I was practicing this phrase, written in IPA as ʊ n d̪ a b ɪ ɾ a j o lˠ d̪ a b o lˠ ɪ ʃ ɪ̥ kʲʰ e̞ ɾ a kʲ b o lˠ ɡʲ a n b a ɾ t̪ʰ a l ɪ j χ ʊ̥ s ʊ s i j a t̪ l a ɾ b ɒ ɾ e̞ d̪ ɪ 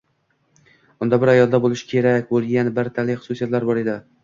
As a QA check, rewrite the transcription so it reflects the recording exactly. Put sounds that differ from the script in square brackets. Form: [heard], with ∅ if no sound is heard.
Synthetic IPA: ʊ n d̪ a b ɪ ɾ a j [ɒ] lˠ d̪ a b o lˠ ɪ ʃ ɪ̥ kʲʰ e̞ ɾ a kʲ b o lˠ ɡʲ a n b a ɾ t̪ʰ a l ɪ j χ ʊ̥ s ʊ s i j a t̪ l a ɾ b ɒ ɾ e̞ d̪ ɪ